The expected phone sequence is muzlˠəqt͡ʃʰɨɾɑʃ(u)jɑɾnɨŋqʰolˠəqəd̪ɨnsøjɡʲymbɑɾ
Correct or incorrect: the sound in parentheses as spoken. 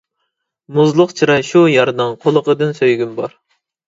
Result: correct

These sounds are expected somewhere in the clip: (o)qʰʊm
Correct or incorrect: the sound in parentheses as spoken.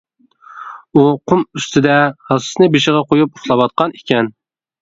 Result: incorrect: u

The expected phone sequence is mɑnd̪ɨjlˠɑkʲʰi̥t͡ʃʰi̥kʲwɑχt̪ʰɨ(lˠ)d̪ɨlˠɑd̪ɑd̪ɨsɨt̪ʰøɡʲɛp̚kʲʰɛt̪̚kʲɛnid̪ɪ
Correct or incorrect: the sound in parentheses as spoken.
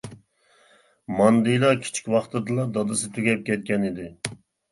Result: incorrect: none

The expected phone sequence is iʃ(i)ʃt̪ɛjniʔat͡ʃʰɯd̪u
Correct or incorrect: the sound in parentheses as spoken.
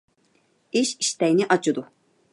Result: correct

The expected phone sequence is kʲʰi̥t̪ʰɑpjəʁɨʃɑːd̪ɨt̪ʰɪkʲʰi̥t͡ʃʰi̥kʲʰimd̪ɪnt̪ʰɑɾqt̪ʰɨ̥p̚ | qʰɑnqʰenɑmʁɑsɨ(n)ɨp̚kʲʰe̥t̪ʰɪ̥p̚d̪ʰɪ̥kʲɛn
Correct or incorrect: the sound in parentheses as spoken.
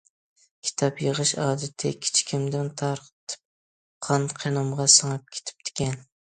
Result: incorrect: ŋ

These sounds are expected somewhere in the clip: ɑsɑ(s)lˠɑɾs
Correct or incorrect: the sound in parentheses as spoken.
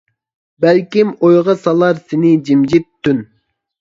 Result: incorrect: none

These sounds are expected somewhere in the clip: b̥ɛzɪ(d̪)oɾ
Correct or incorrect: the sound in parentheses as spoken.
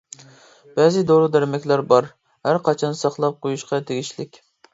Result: correct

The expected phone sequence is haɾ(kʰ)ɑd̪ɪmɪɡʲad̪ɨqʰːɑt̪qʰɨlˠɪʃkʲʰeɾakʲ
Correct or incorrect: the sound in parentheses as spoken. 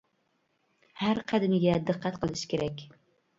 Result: incorrect: qʰ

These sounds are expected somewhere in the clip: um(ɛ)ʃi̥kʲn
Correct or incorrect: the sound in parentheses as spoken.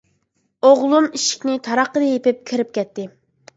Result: incorrect: i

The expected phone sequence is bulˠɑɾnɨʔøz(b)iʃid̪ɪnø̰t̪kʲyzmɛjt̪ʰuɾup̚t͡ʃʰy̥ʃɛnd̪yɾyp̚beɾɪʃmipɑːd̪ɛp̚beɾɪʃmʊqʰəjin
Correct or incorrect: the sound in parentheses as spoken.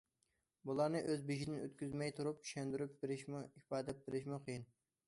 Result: correct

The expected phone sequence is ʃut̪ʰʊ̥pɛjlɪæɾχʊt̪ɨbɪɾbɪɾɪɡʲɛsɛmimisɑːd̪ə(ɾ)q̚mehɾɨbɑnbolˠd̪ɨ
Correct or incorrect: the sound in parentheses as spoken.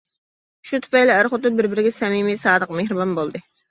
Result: incorrect: none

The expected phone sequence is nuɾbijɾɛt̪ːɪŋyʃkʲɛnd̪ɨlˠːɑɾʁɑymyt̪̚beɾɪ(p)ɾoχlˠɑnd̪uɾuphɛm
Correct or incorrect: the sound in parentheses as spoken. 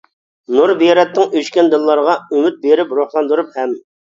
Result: correct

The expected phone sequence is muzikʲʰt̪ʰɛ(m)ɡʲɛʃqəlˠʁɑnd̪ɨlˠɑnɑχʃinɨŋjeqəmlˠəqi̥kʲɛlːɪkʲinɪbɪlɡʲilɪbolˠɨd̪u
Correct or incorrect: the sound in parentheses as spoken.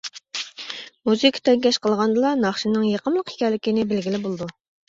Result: incorrect: ŋ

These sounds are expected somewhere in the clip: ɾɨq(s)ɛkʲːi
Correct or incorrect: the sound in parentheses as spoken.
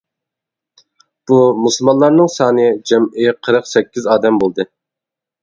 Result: correct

